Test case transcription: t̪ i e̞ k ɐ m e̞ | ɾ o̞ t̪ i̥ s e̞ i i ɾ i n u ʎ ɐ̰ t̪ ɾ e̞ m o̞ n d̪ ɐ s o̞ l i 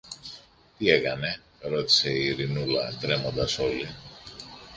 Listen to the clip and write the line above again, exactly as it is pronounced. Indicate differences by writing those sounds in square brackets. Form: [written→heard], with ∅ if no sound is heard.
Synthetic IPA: t̪ i e̞ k ɐ [m→n] e̞ | ɾ o̞ t̪ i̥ s e̞ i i ɾ i n u [ʎ→l] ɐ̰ t̪ ɾ e̞ m o̞ n d̪ ɐ s o̞ l i